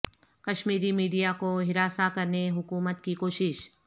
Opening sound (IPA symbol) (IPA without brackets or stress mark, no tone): k